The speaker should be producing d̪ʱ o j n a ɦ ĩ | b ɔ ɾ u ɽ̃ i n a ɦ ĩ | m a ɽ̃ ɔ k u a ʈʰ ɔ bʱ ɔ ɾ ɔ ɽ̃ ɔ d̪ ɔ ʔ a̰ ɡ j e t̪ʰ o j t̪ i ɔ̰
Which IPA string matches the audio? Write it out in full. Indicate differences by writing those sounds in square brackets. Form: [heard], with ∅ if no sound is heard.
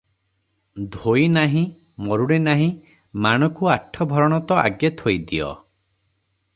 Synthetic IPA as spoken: d̪ʱ o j n a ɦ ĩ | [m] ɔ ɾ u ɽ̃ [e] n a ɦ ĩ | m a ɽ̃ ɔ k u a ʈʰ ɔ bʱ ɔ ɾ ɔ ɽ̃ ɔ [t̪] ɔ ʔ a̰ ɡ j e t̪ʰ o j [d̪] i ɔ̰